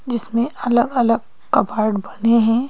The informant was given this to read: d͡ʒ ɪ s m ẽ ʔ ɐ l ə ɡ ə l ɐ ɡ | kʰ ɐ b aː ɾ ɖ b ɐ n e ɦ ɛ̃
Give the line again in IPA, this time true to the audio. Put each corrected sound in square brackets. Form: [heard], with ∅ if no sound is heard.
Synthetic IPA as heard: d͡ʒ ɪ s m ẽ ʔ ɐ l ə ɡ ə l [ə] ɡ | [k] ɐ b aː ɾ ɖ b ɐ n e ɦ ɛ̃